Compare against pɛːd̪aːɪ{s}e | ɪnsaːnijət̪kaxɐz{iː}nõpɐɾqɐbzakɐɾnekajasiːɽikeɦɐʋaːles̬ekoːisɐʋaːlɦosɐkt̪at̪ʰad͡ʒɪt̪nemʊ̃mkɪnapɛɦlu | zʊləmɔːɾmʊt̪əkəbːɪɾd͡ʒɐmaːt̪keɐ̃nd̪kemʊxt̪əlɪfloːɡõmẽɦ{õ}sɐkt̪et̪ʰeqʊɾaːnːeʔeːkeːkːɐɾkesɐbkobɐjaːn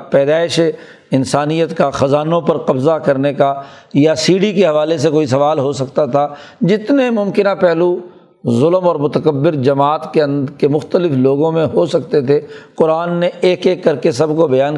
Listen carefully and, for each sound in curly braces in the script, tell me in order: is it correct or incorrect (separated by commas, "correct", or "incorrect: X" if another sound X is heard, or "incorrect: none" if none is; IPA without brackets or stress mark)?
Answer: incorrect: ʃ, incorrect: aː, incorrect: o